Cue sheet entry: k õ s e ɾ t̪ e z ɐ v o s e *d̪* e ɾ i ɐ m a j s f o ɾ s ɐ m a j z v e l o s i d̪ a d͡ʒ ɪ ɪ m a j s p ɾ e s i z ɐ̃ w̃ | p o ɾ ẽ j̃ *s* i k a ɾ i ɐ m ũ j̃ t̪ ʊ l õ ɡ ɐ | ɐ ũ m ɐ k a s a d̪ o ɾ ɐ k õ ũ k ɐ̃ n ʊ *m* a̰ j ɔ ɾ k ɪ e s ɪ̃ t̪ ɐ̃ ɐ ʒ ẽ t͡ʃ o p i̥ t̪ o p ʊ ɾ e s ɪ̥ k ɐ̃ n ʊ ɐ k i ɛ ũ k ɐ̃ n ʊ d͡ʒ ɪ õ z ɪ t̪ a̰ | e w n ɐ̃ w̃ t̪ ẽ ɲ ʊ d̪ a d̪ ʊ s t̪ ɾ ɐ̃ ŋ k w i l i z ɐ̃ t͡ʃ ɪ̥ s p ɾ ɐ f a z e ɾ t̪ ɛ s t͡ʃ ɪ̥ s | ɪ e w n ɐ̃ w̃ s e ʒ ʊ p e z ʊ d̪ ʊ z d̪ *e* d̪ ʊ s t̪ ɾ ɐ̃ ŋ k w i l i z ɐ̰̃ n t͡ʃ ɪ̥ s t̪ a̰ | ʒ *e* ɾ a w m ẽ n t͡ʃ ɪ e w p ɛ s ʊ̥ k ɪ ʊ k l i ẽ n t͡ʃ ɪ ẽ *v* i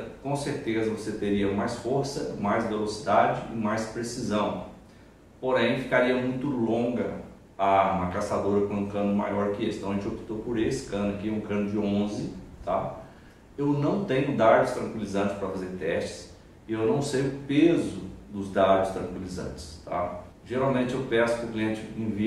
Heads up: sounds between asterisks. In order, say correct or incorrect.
incorrect, incorrect, correct, incorrect, correct, correct

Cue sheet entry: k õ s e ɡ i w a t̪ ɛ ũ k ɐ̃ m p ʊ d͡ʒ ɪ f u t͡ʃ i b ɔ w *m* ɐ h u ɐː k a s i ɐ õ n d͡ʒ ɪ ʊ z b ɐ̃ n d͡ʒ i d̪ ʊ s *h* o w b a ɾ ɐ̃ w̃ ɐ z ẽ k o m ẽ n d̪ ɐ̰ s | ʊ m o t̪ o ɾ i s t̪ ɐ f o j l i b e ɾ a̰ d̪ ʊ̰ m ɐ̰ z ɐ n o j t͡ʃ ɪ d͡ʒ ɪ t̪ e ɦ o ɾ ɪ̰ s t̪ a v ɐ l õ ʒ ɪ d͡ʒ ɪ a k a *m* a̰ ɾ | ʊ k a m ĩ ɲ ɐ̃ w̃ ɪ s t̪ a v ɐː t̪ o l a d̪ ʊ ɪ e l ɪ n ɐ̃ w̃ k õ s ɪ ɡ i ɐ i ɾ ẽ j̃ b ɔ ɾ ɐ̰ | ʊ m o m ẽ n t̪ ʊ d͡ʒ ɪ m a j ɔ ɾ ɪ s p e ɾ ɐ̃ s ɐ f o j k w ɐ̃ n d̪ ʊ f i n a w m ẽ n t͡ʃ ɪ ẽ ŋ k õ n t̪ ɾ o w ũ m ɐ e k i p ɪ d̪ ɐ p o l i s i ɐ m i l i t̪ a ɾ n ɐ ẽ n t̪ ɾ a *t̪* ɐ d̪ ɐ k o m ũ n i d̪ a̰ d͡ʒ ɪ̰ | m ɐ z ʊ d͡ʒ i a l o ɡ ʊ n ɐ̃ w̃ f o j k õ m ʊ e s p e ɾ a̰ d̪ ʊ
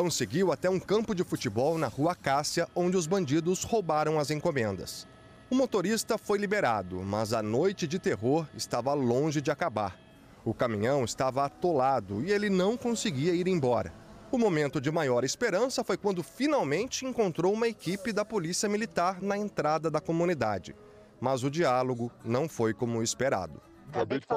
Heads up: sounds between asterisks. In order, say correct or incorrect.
incorrect, correct, incorrect, incorrect

